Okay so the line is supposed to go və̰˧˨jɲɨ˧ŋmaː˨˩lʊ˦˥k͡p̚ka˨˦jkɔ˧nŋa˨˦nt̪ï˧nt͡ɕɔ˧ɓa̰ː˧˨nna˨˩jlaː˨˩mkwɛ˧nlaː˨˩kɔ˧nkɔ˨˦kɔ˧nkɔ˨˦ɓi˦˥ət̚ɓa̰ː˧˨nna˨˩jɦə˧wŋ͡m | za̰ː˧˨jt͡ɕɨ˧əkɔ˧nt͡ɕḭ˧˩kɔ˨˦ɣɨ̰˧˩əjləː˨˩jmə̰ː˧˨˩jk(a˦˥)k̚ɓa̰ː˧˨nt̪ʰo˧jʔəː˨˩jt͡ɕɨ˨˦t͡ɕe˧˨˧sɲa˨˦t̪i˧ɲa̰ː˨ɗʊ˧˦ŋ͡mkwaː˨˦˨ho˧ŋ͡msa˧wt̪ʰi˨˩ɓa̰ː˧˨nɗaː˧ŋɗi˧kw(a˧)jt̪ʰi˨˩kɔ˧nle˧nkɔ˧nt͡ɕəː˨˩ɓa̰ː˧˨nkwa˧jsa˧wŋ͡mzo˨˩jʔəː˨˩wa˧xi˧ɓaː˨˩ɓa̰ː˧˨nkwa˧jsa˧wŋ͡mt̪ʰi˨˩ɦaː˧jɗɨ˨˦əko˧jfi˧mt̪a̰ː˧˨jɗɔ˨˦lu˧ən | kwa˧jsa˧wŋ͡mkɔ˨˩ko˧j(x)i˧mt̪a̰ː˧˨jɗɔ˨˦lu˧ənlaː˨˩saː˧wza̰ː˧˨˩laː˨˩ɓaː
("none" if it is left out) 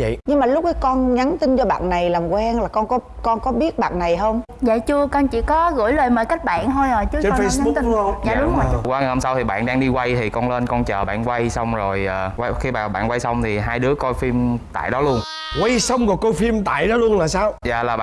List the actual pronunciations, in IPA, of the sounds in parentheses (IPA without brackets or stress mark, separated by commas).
a˦˥, a˧, f